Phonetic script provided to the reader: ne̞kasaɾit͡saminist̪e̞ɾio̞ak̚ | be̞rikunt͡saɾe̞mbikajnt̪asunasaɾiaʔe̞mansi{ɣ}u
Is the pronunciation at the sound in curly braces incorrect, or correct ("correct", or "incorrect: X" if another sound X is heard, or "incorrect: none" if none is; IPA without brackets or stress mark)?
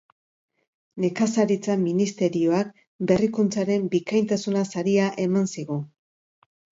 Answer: correct